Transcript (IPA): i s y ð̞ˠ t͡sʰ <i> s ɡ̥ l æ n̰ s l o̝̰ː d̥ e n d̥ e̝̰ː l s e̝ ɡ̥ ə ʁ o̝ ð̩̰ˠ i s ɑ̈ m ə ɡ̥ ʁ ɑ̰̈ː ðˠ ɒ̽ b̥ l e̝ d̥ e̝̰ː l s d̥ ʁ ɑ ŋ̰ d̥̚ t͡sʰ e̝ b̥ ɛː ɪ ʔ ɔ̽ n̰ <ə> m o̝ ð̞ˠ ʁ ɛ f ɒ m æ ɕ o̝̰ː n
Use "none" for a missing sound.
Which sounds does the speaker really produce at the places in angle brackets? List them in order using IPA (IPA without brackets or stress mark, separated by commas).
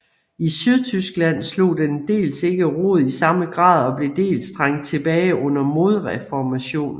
y, ɐ